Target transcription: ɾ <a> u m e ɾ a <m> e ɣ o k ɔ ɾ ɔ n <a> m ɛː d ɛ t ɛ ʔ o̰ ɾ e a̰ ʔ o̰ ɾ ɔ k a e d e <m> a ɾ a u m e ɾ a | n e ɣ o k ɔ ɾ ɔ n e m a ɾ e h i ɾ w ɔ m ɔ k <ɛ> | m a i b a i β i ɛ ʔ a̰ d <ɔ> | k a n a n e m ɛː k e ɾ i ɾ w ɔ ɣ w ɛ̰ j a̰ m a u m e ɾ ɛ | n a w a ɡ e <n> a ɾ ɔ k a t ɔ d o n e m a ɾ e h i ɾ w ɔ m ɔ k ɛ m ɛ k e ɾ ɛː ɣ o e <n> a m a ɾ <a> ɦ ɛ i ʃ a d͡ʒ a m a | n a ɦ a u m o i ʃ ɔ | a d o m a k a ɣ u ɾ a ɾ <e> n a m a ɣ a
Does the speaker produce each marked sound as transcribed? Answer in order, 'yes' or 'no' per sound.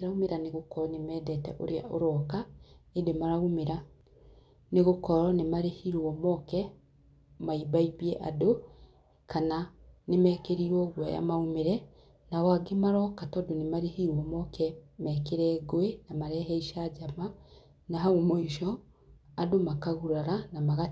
yes, no, no, yes, yes, no, no, yes, no, no

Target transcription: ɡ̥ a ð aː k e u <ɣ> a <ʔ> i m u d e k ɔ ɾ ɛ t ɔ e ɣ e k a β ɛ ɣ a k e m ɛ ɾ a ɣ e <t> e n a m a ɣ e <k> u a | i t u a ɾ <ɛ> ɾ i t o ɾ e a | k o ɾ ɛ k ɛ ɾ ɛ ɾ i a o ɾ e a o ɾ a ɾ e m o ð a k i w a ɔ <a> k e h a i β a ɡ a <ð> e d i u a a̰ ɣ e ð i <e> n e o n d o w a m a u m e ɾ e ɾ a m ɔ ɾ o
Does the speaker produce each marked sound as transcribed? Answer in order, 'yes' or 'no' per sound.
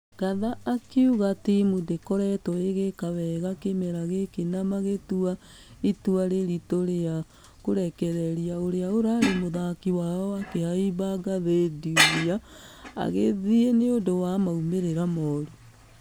yes, no, no, no, no, yes, yes, yes

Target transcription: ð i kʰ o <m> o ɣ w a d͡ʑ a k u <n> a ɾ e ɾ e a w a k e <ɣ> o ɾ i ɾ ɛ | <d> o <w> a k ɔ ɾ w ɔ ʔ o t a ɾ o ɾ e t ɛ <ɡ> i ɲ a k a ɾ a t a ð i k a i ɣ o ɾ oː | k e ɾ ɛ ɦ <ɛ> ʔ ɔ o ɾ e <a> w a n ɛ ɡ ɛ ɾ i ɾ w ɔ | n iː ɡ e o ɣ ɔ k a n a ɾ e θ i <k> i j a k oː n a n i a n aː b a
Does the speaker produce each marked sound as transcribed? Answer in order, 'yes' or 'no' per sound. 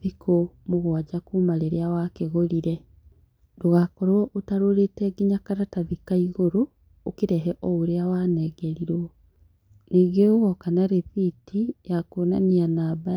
yes, no, yes, yes, no, yes, yes, yes, no

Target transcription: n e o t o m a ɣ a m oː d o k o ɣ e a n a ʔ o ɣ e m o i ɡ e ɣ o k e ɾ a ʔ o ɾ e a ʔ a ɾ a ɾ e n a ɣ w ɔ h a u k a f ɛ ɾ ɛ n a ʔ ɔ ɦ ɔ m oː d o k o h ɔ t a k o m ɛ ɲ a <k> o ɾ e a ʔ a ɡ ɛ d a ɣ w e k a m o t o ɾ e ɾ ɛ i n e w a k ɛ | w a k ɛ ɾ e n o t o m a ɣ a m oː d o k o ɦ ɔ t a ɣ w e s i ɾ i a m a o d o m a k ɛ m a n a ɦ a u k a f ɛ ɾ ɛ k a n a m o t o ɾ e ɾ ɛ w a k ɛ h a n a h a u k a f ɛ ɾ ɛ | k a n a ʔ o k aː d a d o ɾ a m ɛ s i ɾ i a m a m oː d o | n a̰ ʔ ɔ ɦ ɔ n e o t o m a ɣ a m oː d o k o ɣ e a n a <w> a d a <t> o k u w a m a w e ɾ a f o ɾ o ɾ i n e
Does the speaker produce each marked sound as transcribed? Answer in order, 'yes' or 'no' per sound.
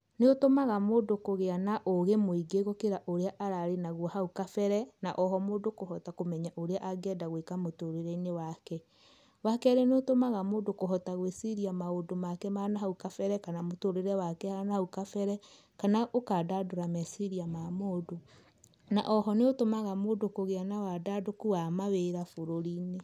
no, yes, no

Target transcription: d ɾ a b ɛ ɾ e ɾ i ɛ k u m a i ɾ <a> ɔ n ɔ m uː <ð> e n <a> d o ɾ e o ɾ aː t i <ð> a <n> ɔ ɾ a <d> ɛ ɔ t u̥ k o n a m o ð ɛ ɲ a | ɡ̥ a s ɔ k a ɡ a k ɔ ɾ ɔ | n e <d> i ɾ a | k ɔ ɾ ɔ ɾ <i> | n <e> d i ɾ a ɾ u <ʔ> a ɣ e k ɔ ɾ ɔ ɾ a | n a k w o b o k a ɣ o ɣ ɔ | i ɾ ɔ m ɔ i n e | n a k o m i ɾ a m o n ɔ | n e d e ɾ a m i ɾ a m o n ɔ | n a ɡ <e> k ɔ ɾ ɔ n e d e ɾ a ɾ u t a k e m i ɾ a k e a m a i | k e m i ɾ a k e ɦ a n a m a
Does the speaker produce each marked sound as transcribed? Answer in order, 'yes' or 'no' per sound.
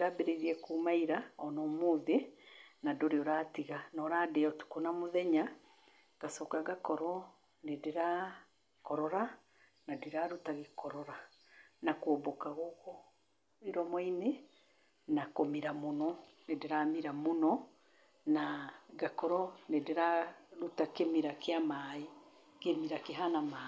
yes, yes, yes, no, yes, yes, yes, no, no, no, no

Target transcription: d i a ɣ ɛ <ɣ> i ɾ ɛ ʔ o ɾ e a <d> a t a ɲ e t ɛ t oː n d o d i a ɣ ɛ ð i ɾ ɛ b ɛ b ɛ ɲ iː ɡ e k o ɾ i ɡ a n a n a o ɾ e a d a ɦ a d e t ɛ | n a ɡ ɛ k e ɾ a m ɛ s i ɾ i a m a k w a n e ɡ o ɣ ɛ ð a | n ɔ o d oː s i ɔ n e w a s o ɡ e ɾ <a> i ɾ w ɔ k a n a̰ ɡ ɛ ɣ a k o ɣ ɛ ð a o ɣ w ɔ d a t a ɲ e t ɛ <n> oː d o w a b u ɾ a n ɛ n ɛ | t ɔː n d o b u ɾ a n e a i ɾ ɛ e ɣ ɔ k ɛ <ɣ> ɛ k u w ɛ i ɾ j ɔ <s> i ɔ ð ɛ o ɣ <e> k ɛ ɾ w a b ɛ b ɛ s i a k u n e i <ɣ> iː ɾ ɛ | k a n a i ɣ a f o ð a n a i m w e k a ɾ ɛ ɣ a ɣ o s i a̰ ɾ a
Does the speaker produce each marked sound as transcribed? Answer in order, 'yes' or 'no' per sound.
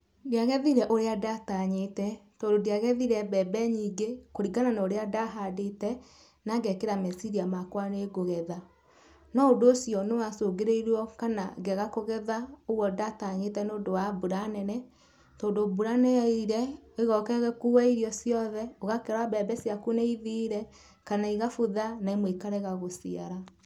no, yes, no, yes, yes, yes, no, no

